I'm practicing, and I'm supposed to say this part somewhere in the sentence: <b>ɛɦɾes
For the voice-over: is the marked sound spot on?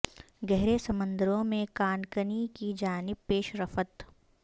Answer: no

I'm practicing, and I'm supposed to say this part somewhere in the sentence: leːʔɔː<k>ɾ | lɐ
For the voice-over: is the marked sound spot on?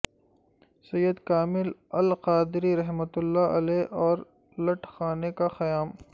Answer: no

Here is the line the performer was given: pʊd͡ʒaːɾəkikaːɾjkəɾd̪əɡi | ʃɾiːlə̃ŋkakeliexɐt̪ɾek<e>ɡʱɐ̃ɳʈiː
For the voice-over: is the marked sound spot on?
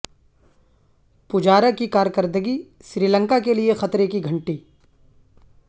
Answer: no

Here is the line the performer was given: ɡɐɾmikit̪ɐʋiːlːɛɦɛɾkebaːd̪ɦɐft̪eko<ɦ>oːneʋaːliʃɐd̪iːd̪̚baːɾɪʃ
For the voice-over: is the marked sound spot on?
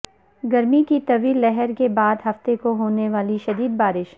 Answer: yes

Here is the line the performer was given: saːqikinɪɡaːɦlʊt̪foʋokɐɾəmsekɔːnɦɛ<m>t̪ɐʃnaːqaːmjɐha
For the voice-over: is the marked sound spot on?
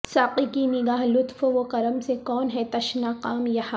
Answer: no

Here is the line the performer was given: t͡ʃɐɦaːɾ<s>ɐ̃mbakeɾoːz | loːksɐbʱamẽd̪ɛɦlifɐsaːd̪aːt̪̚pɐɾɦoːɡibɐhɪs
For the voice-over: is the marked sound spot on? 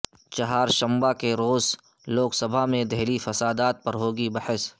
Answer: no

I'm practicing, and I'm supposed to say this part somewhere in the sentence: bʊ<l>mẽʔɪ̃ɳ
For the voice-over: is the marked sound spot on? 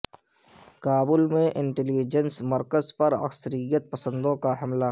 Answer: yes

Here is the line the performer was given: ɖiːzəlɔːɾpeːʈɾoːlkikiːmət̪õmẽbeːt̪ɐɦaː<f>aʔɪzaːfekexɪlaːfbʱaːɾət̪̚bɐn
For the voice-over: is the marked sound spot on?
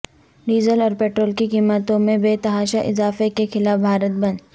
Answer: no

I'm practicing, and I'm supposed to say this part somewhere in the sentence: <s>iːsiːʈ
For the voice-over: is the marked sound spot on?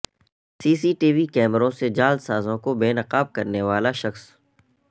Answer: yes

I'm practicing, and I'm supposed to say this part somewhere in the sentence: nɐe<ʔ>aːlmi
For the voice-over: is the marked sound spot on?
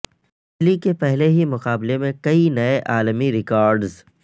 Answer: yes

